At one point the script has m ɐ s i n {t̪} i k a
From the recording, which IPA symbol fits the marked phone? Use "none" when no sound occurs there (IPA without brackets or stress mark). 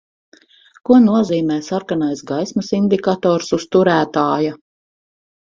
d̪